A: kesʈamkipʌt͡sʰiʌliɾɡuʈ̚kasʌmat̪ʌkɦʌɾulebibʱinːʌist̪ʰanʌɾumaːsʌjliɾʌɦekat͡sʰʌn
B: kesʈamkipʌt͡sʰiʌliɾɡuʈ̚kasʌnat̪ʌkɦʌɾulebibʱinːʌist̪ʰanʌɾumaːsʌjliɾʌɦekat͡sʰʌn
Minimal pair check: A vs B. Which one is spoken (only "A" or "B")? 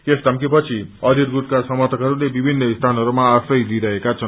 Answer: A